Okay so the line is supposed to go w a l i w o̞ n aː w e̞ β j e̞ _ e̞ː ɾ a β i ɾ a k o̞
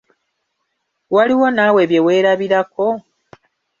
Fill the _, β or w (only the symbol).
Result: w